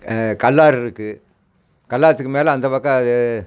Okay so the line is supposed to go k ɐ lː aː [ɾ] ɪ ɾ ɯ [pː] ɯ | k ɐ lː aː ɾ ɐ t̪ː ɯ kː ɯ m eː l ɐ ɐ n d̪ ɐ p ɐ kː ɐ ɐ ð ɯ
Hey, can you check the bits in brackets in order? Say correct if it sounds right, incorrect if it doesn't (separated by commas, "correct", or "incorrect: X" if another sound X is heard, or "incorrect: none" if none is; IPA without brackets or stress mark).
correct, incorrect: kː